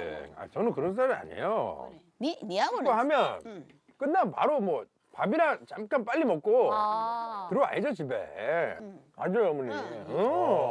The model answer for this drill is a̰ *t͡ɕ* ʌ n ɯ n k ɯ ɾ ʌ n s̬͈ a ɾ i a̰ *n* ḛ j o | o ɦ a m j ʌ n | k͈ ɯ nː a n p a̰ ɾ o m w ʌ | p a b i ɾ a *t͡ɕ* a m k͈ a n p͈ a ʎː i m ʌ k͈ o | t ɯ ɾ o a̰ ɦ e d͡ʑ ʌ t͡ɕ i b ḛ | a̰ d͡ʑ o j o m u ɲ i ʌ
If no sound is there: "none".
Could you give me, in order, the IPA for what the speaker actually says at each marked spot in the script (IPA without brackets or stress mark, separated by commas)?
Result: t͡ɕ, ɲ, t͡ɕ